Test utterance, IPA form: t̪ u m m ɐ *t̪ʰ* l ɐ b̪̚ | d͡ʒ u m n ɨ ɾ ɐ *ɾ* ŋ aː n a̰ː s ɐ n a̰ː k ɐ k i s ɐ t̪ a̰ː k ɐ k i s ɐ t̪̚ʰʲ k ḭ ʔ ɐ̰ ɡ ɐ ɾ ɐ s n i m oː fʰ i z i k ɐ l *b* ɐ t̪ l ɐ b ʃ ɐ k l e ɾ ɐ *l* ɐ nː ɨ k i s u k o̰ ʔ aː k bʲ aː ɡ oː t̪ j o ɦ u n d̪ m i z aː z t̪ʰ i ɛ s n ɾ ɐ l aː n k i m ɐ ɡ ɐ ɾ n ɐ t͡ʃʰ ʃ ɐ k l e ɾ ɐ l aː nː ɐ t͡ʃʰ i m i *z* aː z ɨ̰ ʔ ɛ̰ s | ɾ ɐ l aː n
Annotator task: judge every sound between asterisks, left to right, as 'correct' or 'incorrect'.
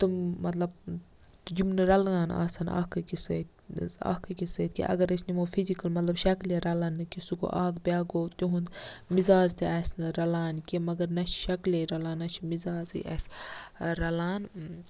incorrect, incorrect, incorrect, correct, correct

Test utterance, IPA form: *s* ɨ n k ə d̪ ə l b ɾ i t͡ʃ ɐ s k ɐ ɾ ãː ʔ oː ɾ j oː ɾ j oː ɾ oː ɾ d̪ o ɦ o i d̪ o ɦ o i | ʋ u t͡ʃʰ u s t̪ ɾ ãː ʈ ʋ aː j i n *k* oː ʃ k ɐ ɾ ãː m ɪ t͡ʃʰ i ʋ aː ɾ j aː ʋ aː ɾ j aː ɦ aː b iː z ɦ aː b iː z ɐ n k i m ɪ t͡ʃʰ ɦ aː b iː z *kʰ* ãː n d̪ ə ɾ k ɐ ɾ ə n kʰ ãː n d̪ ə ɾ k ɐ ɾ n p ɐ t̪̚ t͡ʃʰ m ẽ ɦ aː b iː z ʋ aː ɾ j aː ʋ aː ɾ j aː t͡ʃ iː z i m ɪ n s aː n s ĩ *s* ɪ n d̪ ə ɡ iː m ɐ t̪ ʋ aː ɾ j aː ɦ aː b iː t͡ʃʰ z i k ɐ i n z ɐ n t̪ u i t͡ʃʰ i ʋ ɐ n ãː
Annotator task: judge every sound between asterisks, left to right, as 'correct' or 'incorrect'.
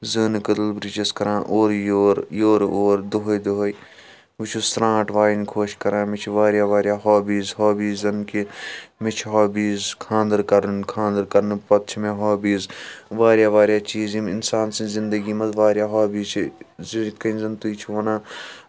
incorrect, incorrect, correct, incorrect

